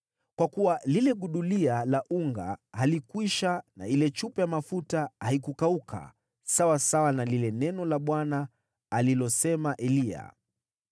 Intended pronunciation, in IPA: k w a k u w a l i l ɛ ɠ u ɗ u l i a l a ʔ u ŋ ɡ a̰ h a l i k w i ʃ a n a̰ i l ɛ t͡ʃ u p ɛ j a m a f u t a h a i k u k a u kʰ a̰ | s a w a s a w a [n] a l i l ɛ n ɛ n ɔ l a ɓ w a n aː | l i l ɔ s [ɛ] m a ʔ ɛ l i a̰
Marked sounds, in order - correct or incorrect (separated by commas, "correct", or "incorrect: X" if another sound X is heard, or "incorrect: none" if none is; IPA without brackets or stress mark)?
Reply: correct, correct